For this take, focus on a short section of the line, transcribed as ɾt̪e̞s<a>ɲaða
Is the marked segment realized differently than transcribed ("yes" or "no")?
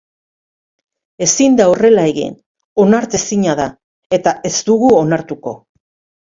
yes